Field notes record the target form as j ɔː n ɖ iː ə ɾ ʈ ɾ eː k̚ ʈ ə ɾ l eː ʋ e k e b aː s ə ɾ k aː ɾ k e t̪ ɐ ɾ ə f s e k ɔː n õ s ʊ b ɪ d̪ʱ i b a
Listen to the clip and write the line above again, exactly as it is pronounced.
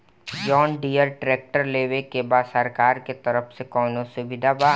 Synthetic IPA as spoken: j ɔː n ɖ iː ə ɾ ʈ ɾ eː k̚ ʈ ə ɾ l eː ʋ e k e b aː s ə ɾ k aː ɾ k e t̪ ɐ ɾ ə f s e k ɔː n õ s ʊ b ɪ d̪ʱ a b a